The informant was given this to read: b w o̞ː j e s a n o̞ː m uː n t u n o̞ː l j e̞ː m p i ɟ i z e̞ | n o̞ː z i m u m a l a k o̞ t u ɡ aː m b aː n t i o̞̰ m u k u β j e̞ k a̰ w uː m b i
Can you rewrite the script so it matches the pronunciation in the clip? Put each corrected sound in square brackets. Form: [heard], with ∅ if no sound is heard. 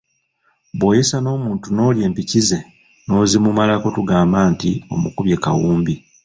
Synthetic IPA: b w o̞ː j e s a n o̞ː m uː n t u n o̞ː l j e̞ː m p i [c] i z e̞ | n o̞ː z i m u m a l a k o̞ t u ɡ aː m b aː n t i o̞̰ m u k u β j e̞ k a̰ w uː m b i